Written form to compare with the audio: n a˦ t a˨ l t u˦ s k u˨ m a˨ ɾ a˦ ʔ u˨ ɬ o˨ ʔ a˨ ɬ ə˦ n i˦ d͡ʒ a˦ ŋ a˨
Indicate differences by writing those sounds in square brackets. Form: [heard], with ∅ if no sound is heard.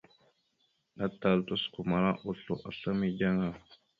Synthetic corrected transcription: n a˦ t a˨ l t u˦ s k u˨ m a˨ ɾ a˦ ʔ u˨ ɬ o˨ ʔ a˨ ɬ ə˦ [m] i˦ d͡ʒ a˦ ŋ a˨